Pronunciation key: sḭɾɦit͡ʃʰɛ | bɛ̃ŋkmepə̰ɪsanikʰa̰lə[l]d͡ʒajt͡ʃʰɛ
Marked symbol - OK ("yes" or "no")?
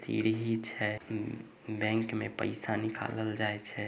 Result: yes